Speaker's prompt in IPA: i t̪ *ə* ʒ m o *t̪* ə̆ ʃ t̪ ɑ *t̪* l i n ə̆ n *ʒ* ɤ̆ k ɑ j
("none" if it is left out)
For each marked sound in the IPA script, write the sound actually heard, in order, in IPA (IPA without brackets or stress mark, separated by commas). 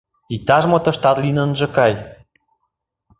ɑ, t̪, t̪, ʒ